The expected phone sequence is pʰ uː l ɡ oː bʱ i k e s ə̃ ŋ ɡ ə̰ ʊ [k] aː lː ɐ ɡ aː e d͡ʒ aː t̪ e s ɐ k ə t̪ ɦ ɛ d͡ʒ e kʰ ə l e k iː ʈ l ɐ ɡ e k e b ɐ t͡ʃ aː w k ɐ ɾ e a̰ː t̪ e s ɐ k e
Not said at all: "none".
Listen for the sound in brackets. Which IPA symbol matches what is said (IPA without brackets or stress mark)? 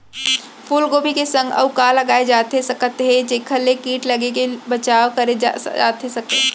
k